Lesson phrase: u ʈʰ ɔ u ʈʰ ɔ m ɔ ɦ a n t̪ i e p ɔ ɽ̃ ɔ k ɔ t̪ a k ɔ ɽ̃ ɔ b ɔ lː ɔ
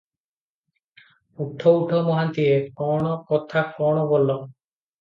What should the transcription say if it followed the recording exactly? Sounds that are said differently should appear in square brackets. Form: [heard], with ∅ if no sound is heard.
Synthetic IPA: u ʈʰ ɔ u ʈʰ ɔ m ɔ ɦ a n t̪ i e [k] ɔ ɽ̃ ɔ k ɔ [t̪ʰ] a k ɔ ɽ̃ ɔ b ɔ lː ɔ

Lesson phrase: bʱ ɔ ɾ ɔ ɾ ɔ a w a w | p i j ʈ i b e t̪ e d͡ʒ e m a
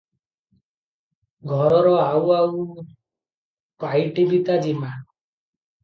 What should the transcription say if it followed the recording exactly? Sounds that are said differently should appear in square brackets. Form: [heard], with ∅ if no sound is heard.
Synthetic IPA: [ɡʱ] ɔ ɾ ɔ ɾ ɔ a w a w | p [a] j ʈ i b [i] t̪ [a] d͡ʒ [i] m a

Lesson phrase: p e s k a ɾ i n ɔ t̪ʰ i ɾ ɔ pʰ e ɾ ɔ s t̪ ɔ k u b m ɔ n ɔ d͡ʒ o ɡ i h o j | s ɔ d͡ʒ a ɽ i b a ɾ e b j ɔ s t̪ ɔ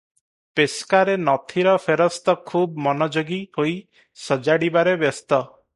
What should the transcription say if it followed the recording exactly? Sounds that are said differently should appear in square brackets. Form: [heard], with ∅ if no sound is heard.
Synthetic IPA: p e s k a ɾ [e] n ɔ t̪ʰ i ɾ ɔ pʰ e ɾ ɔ s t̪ ɔ [kʰ] u b m ɔ n ɔ d͡ʒ o ɡ i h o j | s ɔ d͡ʒ a ɽ i b a ɾ e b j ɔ s t̪ ɔ

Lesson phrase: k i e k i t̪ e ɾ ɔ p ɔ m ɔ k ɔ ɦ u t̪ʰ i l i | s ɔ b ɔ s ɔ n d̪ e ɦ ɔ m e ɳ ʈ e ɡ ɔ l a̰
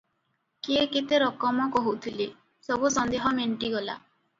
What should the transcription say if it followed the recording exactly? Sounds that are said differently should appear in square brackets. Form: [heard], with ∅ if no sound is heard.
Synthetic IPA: k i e k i t̪ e ɾ ɔ [k] ɔ m ɔ k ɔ ɦ u t̪ʰ i l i | s ɔ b [u] s ɔ n d̪ e ɦ ɔ m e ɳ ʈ [i] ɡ ɔ l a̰

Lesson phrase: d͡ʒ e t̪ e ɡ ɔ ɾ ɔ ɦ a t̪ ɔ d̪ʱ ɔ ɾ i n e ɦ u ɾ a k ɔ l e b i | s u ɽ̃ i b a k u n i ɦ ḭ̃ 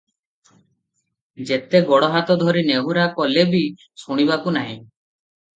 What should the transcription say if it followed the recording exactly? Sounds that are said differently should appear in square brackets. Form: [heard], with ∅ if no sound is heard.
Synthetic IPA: d͡ʒ e t̪ e ɡ ɔ [ɽ] ɔ ɦ a t̪ ɔ d̪ʱ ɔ ɾ i n e ɦ u ɾ a k ɔ l e b i | s u ɽ̃ i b a k u n [a] ɦ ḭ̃

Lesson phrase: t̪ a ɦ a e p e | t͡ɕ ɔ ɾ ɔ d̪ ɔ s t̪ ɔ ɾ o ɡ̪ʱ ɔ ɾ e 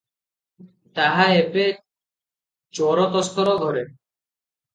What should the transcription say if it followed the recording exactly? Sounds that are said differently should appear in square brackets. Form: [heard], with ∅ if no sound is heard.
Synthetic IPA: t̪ a ɦ a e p e | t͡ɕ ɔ ɾ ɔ [t̪] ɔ s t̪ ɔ ɾ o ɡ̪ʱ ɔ ɾ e

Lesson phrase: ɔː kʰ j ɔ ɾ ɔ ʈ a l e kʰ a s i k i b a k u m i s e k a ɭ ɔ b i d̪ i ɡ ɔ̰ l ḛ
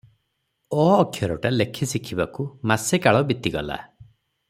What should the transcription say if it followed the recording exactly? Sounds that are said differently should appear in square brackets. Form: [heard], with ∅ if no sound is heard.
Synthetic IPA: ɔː kʰ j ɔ ɾ ɔ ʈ a l e kʰ [i] s i [kʰ] i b a k u m [a] s e k a ɭ ɔ b i [t̪] i ɡ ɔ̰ l [a̰]

